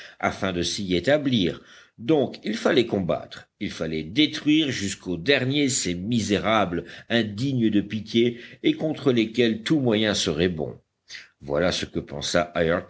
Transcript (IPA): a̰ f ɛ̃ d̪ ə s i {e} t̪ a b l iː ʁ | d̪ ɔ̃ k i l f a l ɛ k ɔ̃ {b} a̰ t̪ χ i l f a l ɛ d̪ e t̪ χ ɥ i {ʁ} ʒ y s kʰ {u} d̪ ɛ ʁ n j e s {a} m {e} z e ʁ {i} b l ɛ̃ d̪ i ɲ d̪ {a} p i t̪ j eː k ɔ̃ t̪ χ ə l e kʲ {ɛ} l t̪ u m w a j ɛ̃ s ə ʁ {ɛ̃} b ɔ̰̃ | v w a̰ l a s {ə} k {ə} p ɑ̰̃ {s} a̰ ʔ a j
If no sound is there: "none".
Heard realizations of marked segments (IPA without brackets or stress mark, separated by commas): e, b, ʁ, o, e, i, a, ə, ɛ, ɛ, ə, ə, s